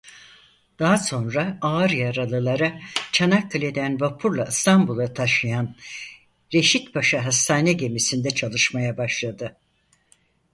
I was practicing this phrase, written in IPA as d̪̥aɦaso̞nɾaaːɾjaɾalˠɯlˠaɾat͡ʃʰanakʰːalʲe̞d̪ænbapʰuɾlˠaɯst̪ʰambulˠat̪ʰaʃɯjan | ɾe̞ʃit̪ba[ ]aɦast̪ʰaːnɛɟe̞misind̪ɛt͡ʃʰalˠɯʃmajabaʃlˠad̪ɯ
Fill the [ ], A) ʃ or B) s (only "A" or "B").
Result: A